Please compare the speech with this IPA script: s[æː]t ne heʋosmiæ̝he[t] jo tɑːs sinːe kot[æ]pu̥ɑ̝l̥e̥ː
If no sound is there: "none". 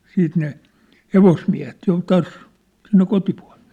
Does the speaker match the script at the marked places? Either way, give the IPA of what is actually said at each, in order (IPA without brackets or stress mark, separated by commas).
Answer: iː, t, i